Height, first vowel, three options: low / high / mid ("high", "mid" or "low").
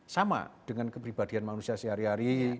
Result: low